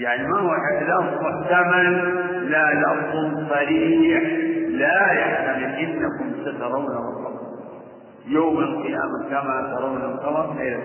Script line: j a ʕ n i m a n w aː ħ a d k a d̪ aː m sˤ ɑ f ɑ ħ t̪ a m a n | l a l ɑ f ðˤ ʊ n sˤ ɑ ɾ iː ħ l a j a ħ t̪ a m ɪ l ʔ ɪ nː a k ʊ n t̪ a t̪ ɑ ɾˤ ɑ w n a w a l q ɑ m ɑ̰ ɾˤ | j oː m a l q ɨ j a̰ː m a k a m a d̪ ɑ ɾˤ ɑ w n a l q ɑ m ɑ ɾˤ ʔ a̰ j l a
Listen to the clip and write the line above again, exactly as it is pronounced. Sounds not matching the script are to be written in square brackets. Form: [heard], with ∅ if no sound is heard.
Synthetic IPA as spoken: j a ʕ n i m a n w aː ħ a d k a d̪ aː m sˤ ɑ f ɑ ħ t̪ a m a n | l a l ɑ f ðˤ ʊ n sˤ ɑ ɾ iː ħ l a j a ħ t̪ a m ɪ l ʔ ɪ nː a k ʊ [m] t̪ a t̪ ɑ ɾˤ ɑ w n a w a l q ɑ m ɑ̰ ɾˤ | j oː m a l q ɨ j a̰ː m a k a m a [t̪] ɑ ɾˤ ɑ w n a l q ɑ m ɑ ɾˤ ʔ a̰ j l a